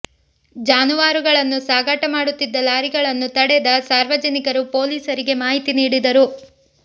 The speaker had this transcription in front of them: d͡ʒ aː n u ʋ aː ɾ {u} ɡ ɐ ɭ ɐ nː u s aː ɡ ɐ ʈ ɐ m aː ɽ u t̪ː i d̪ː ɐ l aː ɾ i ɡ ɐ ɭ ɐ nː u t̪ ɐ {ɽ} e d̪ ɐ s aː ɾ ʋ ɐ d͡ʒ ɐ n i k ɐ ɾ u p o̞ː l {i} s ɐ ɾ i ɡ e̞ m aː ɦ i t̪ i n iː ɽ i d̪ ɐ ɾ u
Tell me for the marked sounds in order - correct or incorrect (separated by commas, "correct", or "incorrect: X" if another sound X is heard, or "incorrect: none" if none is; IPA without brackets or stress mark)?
correct, correct, incorrect: iː